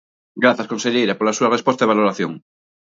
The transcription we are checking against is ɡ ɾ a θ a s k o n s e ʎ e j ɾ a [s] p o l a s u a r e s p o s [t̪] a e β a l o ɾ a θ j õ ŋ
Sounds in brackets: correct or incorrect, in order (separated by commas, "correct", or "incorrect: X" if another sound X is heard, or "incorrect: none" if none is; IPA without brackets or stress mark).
incorrect: none, correct